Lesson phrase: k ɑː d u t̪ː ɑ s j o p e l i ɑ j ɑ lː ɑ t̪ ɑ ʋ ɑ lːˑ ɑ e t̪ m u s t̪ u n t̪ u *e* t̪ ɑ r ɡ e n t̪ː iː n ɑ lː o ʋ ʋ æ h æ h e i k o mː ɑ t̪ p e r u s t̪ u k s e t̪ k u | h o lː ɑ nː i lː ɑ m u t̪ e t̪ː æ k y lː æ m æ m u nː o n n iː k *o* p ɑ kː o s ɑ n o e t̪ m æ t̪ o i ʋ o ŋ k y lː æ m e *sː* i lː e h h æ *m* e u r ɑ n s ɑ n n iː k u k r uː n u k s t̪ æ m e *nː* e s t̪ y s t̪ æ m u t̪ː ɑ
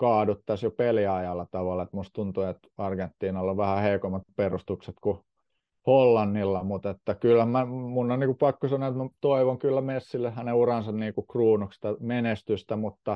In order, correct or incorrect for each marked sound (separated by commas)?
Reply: correct, incorrect, correct, incorrect, incorrect